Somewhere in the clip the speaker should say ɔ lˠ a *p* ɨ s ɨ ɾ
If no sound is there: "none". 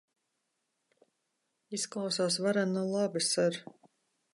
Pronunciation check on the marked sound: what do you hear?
b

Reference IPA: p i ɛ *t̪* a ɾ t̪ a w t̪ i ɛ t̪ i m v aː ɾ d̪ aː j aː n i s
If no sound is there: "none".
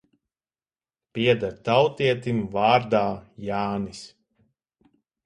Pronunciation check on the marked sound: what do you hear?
d̪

